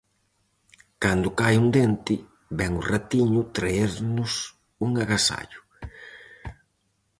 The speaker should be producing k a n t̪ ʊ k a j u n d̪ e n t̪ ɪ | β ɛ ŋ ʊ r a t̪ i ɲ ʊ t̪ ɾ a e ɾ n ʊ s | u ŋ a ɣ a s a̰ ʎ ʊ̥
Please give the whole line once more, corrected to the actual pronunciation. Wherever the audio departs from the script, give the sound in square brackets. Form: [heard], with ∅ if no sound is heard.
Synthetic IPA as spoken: k a n [d̪] ʊ k a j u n d̪ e n t̪ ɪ | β ɛ ŋ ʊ r a t̪ i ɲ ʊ t̪ ɾ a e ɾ n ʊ s | u ŋ a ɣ a s a̰ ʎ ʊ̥